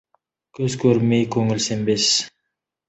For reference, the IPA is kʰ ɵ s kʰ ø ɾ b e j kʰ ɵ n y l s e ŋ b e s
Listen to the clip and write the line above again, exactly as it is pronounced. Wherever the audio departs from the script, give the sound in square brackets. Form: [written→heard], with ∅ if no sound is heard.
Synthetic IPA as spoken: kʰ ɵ [s→z] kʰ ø ɾ [b→m] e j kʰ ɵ [n→ŋ] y l s e [ŋ→m] b e s